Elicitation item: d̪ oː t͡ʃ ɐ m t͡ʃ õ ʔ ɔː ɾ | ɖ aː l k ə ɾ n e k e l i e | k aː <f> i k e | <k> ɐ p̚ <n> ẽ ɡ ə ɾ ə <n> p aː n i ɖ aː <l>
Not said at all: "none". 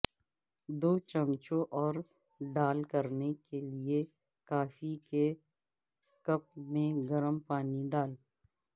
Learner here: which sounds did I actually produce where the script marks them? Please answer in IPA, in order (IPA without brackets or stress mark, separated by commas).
f, k, m, m, l